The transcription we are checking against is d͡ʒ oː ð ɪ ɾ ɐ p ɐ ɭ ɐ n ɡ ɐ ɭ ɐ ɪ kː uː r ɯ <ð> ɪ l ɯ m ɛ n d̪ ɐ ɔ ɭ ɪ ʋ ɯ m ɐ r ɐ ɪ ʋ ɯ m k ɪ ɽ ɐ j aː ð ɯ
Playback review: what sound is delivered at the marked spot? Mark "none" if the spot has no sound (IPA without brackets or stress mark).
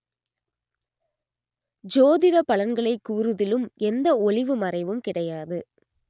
ð